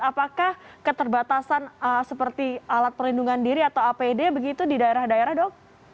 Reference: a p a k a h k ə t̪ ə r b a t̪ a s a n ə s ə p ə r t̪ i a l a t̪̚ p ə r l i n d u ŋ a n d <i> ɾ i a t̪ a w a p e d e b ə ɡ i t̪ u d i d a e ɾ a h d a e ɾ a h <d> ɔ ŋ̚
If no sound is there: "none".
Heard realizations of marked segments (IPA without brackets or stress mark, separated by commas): i, d